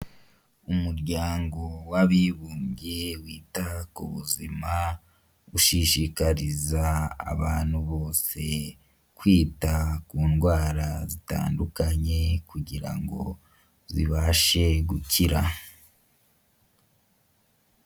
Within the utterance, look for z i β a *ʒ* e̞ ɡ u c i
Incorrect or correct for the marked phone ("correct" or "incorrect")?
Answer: incorrect